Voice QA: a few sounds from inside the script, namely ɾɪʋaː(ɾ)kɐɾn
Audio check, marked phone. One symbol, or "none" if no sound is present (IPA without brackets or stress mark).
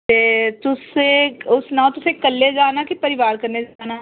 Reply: ɾ